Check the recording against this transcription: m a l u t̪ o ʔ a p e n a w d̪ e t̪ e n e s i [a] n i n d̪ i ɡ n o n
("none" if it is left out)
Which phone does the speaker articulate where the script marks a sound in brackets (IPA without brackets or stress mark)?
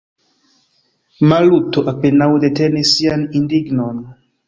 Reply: a